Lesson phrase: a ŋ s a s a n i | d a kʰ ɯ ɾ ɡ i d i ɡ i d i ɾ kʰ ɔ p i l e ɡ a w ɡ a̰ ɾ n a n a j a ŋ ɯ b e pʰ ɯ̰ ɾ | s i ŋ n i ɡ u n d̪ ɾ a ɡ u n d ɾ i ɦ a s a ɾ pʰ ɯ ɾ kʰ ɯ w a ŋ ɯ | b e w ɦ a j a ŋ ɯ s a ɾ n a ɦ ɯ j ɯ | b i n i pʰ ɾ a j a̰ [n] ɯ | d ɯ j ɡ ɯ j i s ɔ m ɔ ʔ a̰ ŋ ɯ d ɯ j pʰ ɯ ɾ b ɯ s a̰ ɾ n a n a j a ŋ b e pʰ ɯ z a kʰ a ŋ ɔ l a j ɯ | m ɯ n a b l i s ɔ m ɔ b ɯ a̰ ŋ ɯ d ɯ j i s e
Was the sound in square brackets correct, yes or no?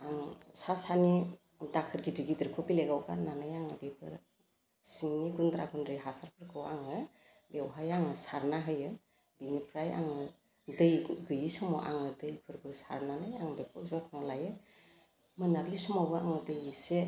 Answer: no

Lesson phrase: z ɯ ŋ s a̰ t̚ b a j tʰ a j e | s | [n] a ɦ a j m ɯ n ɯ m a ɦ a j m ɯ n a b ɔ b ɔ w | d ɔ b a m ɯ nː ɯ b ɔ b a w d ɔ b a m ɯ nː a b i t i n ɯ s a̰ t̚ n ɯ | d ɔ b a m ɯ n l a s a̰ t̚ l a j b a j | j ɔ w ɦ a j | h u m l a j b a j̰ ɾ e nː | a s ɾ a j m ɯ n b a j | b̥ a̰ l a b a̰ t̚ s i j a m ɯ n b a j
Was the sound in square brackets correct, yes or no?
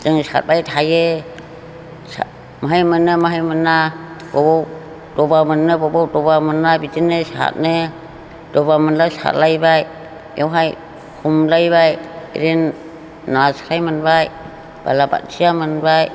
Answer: no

